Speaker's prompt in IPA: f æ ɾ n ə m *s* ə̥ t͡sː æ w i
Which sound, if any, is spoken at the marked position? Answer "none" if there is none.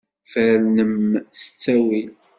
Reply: s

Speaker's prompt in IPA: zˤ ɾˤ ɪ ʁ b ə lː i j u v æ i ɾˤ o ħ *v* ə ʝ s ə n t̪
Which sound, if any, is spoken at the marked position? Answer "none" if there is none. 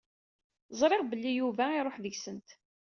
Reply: ð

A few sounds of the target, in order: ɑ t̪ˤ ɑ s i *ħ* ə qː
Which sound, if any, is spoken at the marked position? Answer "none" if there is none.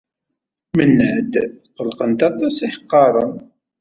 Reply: ħ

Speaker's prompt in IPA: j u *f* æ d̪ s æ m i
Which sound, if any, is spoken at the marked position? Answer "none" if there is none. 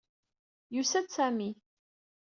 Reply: s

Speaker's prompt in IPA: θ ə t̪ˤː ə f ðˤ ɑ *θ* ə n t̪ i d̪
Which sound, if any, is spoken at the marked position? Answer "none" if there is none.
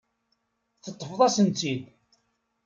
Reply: s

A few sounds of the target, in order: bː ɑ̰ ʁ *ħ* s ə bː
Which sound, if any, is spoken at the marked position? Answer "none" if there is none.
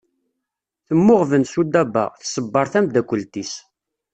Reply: θ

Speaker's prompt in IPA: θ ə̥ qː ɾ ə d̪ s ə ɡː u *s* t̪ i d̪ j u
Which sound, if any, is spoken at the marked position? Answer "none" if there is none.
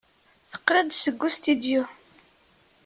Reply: s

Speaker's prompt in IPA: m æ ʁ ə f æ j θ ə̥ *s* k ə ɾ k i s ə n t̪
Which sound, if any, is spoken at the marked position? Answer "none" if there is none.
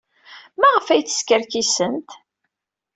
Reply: s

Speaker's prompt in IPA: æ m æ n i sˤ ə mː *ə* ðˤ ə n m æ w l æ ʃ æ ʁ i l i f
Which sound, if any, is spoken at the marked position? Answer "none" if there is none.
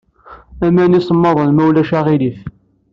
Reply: ɑ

